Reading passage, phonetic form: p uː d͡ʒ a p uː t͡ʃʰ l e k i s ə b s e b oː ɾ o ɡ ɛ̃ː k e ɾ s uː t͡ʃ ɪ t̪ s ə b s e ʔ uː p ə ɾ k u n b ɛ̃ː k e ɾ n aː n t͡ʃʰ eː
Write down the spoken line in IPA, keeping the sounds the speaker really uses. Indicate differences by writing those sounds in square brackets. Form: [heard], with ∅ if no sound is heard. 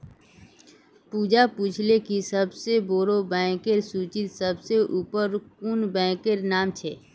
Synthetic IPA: p uː d͡ʒ a p uː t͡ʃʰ l e k i s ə b s e b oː ɾ o [b] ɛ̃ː k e ɾ s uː t͡ʃ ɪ t̪ s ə b s e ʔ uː p ə ɾ k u n b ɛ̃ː k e ɾ n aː [m] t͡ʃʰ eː